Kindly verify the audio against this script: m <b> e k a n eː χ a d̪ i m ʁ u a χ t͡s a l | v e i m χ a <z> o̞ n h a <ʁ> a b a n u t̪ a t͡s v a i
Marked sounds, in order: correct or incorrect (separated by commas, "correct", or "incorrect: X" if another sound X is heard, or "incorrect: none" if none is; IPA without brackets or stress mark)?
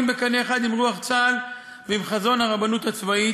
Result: correct, correct, correct